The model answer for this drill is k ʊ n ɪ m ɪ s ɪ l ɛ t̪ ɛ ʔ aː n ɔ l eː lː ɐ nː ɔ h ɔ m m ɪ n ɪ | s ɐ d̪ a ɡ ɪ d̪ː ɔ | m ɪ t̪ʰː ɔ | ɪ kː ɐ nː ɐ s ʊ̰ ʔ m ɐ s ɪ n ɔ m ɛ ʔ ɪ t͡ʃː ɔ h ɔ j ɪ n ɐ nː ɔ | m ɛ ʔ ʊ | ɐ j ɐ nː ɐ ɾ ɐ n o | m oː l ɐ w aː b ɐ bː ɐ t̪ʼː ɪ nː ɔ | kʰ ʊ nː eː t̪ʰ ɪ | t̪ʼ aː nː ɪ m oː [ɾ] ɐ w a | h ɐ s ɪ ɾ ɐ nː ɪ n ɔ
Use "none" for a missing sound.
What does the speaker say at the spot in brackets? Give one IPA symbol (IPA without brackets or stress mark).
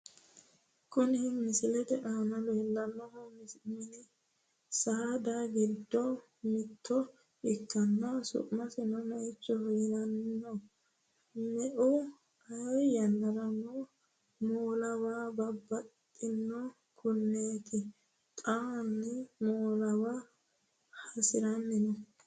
l